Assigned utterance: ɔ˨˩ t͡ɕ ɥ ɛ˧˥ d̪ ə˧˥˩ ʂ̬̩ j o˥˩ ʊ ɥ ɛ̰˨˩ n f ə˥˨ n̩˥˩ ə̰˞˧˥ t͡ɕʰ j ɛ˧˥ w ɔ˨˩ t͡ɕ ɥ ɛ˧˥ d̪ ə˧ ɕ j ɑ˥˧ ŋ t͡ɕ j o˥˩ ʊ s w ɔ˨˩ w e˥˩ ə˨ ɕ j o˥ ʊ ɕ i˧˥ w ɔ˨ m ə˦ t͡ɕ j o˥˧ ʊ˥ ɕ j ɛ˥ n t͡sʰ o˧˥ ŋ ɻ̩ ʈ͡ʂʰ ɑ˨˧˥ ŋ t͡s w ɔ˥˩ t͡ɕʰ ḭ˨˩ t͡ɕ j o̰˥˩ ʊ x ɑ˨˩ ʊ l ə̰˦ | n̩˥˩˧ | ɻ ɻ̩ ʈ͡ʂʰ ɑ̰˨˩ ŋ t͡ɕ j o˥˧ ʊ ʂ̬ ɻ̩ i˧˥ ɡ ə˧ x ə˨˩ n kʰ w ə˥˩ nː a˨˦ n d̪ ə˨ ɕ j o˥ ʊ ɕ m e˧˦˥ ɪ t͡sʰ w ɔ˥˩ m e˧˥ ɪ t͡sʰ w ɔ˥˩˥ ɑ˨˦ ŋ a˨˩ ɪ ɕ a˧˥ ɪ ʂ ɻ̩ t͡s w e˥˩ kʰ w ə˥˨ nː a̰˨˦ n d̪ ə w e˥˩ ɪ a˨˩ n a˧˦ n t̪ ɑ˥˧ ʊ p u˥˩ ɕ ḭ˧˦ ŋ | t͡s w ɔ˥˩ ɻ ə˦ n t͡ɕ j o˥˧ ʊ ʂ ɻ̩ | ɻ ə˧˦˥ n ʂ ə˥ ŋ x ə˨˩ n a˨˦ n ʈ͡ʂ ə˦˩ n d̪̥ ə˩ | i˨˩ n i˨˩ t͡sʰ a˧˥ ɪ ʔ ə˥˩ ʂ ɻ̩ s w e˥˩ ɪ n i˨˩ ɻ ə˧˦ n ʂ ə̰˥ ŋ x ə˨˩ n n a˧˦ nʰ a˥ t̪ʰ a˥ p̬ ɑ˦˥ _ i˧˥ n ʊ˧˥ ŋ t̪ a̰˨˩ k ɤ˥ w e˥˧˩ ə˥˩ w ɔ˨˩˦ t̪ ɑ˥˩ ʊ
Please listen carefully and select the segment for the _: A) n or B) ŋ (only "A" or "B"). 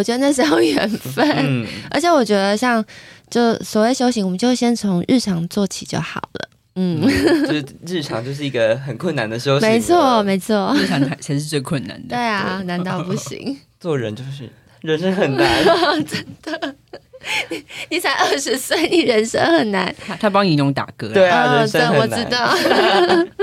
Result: B